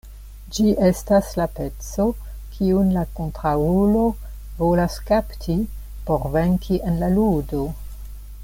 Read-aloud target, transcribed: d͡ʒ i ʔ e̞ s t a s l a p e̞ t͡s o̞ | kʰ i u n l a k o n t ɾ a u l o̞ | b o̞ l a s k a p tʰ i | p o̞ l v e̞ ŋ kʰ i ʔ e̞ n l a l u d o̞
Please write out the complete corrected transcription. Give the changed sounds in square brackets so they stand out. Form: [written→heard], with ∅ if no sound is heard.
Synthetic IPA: d͡ʒ i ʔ e̞ s t a s l a p e̞ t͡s o̞ | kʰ i u n l a k o n t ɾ a u l o̞ | [b→v] o̞ l a s k a p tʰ i | p o̞ [l→ɾ] v e̞ ŋ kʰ i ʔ e̞ n l a l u d o̞